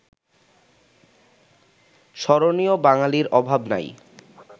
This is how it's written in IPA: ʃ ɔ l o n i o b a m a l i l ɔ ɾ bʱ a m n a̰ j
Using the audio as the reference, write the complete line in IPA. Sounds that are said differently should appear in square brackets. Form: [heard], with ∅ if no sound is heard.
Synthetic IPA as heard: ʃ ɔ [ɾ] o n i o b a [ŋ] a l i [ɾ] ɔ [∅] bʱ a [b] n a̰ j